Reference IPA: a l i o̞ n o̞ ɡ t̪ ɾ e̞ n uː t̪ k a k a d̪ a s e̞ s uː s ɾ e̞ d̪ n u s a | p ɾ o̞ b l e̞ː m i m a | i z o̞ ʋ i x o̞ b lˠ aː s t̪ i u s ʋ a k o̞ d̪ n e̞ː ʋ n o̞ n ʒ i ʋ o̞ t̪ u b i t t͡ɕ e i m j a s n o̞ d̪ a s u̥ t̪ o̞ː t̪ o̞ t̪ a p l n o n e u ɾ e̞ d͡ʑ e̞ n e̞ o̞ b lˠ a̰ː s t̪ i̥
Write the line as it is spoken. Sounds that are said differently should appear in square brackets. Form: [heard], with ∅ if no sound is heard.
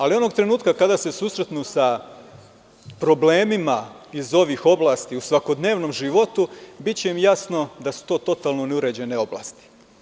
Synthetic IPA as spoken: a l i o̞ n o̞ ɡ t̪ ɾ e̞ n uː t̪ k a k a d̪ a s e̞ s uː s ɾ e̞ [t̪] n u s a | p ɾ o̞ b l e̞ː m i m a | i z o̞ ʋ i x o̞ b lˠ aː s t̪ i u s ʋ a k o̞ d̪ n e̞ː ʋ n o̞ [m] ʒ i ʋ o̞ t̪ u b i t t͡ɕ e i m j a s n o̞ d̪ a s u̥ t̪ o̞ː t̪ o̞ t̪ a [∅] l n o n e u ɾ e̞ d͡ʑ e̞ n e̞ o̞ b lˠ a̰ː s t̪ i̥